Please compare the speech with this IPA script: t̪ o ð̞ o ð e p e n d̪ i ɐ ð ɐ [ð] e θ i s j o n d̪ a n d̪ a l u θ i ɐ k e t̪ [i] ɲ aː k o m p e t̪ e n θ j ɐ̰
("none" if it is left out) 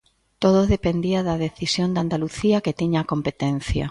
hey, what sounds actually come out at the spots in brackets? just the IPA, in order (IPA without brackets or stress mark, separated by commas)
ð, i